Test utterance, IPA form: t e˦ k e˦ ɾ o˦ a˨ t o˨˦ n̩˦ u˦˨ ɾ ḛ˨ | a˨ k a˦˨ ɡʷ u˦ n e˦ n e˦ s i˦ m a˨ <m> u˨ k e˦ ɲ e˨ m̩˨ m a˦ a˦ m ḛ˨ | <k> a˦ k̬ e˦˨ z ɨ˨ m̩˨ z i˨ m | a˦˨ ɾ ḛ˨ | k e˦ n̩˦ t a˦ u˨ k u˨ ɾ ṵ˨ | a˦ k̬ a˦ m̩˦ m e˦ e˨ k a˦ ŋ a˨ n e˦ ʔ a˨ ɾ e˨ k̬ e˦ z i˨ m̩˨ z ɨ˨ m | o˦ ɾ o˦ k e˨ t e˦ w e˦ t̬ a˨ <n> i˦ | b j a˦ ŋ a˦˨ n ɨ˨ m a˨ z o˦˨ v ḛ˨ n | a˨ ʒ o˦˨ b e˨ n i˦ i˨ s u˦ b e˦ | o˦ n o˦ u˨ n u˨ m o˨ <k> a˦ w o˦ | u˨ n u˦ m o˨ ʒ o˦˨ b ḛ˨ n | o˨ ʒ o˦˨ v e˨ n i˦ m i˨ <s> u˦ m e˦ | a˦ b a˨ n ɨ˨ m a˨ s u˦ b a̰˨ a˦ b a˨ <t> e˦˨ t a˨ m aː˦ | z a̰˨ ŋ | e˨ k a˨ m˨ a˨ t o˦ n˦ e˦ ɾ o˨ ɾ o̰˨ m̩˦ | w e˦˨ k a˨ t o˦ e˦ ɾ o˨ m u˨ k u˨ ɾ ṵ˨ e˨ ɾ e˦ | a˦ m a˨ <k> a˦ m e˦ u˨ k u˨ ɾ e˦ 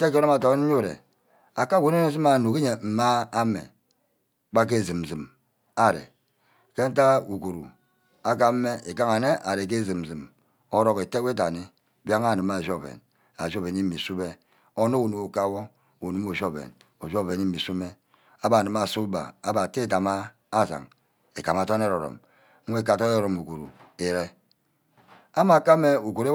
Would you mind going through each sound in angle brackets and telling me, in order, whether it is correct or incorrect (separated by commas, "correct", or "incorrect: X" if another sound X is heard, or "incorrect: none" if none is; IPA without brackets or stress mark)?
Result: incorrect: n, incorrect: k͡p, correct, correct, correct, correct, correct